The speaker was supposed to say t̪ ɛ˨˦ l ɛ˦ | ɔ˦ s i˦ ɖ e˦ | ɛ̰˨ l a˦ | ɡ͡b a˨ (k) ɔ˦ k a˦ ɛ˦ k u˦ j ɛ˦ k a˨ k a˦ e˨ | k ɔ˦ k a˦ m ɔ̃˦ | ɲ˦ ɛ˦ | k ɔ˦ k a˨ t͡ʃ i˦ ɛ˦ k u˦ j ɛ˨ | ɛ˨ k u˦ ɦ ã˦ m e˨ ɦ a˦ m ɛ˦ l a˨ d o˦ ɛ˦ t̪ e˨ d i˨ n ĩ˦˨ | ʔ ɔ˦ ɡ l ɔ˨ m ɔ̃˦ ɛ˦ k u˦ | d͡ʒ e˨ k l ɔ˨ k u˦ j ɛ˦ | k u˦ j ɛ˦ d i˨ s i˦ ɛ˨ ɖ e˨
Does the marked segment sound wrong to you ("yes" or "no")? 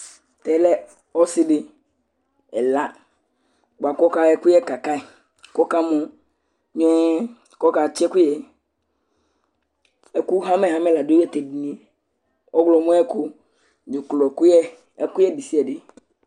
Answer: no